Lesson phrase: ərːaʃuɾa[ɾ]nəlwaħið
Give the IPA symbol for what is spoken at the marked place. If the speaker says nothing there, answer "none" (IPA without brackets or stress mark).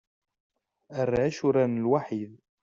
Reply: none